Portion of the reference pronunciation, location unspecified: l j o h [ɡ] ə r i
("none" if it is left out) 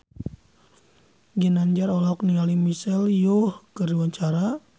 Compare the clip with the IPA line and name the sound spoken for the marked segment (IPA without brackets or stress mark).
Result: k